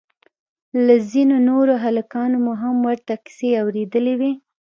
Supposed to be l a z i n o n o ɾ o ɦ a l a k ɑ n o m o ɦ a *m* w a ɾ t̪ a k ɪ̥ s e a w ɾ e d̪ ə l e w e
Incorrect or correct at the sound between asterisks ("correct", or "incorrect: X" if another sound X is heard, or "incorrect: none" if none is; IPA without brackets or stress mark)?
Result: correct